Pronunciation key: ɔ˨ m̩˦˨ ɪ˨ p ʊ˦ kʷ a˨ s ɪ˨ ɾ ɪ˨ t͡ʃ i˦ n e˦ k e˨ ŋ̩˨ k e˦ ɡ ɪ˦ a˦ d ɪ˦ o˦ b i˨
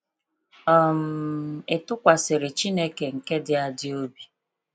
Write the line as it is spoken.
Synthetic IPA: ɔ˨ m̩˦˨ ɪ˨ t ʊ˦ kʷ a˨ s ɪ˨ ɾ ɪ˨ t͡ʃ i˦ n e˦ k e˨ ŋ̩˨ k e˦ d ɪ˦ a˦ d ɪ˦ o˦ b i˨